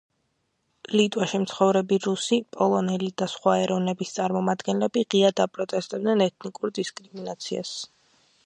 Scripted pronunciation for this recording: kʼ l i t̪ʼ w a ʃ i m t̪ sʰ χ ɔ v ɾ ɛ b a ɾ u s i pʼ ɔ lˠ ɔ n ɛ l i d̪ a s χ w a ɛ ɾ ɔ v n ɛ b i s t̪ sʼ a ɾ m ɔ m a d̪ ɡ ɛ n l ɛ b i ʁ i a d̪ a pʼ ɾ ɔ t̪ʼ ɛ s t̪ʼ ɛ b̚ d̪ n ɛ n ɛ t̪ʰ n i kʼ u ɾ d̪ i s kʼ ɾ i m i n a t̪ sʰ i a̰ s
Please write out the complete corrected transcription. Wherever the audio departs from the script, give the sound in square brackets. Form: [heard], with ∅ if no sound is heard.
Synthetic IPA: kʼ l i t̪ʼ w a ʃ i m t̪ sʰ χ ɔ v ɾ ɛ b [i] ɾ u s i pʼ ɔ lˠ ɔ n ɛ l i d̪ a s χ w a ɛ ɾ ɔ v n ɛ b i s t̪ sʼ a ɾ m ɔ m a d̪ ɡ ɛ n l ɛ b i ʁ i a d̪ a pʼ ɾ ɔ t̪ʼ ɛ s t̪ʼ ɛ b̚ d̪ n ɛ n ɛ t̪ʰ n i kʼ u ɾ d̪ i s kʼ ɾ i m i n a t̪ sʰ i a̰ s